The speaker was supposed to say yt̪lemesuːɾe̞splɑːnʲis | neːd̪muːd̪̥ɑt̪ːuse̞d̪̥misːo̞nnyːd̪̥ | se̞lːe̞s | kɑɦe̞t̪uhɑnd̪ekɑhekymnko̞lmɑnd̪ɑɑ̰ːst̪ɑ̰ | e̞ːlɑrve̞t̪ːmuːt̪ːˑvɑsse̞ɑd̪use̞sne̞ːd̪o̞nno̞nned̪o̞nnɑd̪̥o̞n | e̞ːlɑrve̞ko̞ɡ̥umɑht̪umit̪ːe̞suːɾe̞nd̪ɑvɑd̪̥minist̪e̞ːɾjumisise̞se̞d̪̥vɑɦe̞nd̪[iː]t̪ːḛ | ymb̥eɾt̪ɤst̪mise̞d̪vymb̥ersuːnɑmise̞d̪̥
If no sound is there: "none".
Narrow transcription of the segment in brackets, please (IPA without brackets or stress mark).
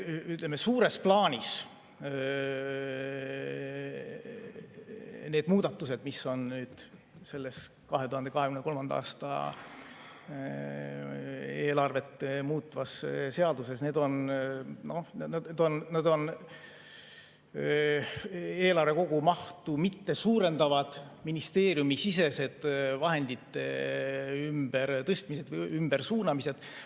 i